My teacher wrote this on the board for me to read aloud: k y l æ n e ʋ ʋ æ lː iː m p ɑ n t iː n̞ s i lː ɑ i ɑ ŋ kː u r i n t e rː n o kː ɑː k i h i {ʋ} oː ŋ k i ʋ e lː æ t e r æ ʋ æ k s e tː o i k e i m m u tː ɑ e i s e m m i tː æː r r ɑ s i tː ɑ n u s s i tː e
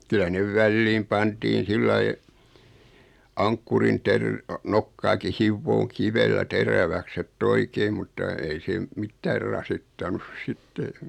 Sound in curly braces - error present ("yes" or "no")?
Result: yes